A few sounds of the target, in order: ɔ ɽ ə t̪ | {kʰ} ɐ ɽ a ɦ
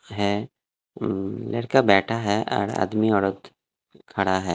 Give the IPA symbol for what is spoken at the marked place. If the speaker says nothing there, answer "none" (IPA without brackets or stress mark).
kʰ